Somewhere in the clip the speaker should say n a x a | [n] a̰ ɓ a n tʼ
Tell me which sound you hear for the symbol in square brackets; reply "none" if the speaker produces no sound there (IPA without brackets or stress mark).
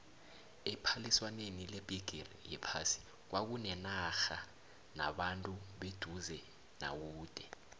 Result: n